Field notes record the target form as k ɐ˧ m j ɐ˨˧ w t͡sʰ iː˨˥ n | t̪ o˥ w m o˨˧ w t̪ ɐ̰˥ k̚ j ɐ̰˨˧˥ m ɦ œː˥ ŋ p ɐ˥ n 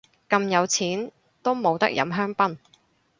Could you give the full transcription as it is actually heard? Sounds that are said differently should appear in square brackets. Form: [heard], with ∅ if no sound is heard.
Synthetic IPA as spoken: k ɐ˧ m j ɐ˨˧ w t͡sʰ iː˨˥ n | t̪ o˥ w m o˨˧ w t̪ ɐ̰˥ k̚ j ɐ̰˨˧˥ m ɦ œː˥ ŋ p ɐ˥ n